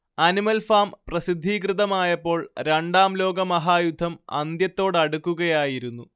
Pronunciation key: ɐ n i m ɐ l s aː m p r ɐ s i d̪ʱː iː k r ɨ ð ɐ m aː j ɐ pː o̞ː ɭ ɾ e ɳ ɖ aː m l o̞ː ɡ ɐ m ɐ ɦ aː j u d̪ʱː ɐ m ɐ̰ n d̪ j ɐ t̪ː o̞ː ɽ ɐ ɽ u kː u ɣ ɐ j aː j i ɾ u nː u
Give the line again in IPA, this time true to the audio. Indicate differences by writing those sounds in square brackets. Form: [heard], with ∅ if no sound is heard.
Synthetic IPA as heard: ɐ n i m ɐ l [f] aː m p r ɐ s i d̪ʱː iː k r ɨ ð ɐ m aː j ɐ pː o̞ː ɭ ɾ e ɳ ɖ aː m l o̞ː ɡ ɐ m ɐ ɦ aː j u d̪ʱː ɐ m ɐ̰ n d̪ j ɐ t̪ː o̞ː ɽ ɐ ɽ u kː u ɣ ɐ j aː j i ɾ u nː u